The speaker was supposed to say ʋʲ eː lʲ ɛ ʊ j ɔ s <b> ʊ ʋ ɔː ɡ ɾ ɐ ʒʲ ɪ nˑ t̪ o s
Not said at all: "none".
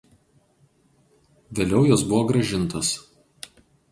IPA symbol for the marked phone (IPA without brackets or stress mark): b